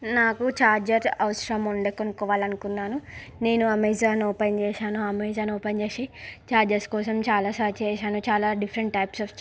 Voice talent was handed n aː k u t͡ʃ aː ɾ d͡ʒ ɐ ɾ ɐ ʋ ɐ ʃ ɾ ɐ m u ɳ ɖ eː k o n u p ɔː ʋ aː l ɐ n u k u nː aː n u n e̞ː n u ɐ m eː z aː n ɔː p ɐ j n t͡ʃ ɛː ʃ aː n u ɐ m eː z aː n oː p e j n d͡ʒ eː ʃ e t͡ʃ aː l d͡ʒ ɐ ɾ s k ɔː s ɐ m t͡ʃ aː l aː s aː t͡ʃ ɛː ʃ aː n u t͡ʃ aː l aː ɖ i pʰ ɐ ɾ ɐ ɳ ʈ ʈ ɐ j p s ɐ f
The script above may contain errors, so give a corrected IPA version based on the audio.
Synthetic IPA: n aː k u t͡ʃ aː ɾ d͡ʒ ɐ ɾ ɐ ʋ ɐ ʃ ɾ ɐ m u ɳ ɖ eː k o n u k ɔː ʋ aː l ɐ n u k u nː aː n u n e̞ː n u ɐ m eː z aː n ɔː p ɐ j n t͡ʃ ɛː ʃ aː n u ɐ m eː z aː n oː p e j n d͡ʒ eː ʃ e t͡ʃ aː ɾ d͡ʒ ɐ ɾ s k ɔː s ɐ m t͡ʃ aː l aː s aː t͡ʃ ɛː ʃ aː n u t͡ʃ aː l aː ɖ i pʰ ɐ ɾ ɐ ɳ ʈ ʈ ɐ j p s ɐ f

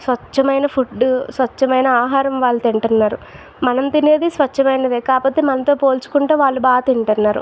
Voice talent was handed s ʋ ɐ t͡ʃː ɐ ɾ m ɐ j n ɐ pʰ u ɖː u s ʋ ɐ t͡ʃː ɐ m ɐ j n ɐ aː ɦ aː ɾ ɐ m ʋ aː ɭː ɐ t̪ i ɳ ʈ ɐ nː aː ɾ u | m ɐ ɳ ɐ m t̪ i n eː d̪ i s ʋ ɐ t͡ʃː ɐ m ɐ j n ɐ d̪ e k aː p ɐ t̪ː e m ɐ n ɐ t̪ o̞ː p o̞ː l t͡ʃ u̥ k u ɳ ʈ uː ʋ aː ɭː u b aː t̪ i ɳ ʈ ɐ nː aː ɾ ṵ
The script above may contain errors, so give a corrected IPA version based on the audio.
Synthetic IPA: s ʋ ɐ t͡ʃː ɐ m ɐ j n ɐ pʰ u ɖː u s ʋ ɐ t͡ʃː ɐ m ɐ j n ɐ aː ɦ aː ɾ ɐ m ʋ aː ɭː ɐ t̪ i ɳ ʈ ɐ nː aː ɾ u | m ɐ n ɐ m t̪ i n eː d̪ i s ʋ ɐ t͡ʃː ɐ m ɐ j n ɐ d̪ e k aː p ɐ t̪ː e m ɐ n ɐ t̪ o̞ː p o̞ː l t͡ʃ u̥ k u ɳ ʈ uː ʋ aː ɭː u b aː t̪ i ɳ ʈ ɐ nː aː ɾ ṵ

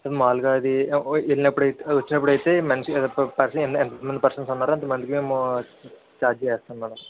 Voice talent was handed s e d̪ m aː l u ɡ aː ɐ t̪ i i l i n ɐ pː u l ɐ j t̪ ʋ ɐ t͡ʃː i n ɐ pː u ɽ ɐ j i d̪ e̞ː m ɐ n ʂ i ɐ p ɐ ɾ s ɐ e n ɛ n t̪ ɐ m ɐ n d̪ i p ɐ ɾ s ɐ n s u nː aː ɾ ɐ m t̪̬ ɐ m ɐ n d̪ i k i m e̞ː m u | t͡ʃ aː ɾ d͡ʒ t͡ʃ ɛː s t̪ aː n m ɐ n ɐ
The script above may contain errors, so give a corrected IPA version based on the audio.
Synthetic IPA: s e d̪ m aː l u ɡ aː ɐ d̪ i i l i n ɐ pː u ɽ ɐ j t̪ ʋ ɐ t͡ʃː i n ɐ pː u ɽ ɐ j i t̪ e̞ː m ɐ n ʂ i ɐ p ɐ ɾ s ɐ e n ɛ n t̪ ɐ m ɐ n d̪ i p ɐ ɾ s ɐ n s u nː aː ɾ ɐ n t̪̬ ɐ m ɐ n d̪ i k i m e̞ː m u | t͡ʃ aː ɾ d͡ʒ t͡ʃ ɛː s t̪ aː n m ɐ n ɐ

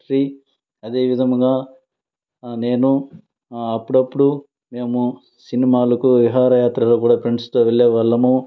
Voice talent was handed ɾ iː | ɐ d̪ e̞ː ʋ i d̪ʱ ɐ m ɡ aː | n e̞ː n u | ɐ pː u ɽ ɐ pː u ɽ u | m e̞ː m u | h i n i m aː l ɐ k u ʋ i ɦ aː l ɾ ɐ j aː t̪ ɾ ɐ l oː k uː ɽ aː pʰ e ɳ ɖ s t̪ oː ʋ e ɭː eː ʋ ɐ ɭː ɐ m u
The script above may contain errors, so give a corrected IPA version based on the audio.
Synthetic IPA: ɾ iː | ɐ d̪ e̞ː ʋ i d̪ʱ ɐ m ɡ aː | n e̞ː n u | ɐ pː u ɽ ɐ pː u ɽ u | m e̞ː m u | s i n i m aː l ɐ k u ʋ i ɦ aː ɾ ɐ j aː t̪ ɾ ɐ l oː k uː ɽ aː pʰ e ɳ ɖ s t̪ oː ʋ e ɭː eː ʋ ɐ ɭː ɐ m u

